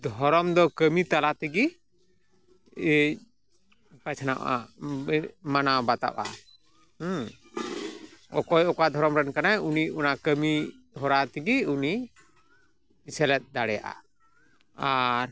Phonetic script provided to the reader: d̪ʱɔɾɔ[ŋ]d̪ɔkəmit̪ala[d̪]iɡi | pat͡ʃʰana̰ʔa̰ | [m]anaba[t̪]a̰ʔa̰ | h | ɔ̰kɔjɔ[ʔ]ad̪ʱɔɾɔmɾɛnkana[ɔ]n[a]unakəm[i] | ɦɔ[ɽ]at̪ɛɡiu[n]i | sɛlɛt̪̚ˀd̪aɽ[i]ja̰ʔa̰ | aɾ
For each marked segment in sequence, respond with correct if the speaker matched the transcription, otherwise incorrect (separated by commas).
incorrect, incorrect, correct, correct, incorrect, incorrect, incorrect, correct, incorrect, correct, incorrect